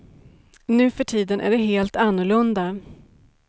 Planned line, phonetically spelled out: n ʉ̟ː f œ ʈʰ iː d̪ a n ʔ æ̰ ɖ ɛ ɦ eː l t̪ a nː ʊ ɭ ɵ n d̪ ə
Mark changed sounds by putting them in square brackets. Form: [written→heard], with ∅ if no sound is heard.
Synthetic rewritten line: n ʉ̟ː f œ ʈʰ iː d̪ [a→ə] n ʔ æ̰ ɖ ɛ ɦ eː l t̪ a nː ʊ ɭ ɵ n d̪ [ə→a]